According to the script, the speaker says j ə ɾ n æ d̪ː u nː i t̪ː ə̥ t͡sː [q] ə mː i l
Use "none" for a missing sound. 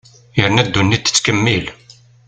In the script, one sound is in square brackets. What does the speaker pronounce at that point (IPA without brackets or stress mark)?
k